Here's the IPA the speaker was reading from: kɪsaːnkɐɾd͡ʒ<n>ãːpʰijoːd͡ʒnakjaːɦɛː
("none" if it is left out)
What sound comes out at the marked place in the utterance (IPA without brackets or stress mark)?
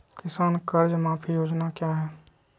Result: m